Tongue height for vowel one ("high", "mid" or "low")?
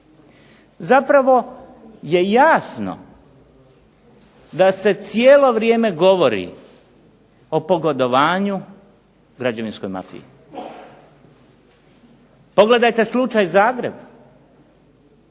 low